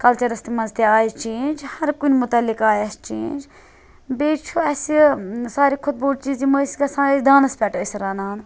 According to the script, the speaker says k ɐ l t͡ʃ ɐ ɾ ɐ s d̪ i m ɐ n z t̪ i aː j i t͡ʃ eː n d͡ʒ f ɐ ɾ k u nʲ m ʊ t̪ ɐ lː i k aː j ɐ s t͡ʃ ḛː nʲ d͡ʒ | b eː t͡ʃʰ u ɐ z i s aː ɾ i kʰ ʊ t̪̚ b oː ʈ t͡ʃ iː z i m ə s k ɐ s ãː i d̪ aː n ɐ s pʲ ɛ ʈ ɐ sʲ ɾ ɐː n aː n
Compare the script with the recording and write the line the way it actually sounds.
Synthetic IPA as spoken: k ɐ l t͡ʃ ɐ ɾ ɐ s t̪ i m ɐ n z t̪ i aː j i t͡ʃ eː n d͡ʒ h ɐ ɾ k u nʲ m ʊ t̪ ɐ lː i k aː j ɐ s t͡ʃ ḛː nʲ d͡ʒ | b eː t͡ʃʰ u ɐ s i s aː ɾ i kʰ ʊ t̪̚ b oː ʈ t͡ʃ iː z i m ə s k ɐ s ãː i d̪ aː n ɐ s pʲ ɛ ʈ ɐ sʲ ɾ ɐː n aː n